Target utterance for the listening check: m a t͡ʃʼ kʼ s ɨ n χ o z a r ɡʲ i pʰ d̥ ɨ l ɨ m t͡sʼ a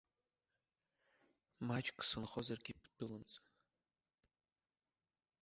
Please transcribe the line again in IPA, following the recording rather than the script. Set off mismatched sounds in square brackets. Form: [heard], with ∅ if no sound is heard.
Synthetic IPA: m a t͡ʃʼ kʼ s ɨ n χ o z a r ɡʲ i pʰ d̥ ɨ l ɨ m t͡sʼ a